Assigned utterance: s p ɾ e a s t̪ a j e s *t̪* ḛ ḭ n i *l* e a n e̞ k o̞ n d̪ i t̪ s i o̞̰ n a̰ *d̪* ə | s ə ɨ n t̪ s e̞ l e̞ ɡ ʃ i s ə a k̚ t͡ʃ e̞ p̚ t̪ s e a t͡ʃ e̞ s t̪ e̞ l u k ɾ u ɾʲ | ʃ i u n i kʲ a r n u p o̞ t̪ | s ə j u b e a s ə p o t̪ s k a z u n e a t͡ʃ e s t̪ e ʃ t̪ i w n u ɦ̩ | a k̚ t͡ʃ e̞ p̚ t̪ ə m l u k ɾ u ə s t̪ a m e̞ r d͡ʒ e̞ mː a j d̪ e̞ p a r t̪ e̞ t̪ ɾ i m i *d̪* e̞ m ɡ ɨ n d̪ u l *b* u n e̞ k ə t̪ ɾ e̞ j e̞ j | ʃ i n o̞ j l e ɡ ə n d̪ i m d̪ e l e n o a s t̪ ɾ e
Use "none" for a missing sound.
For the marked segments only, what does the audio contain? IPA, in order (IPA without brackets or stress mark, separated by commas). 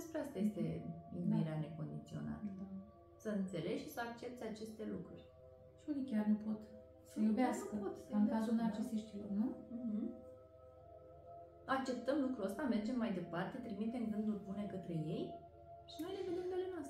t̪, ɾ, t̪, t̪, b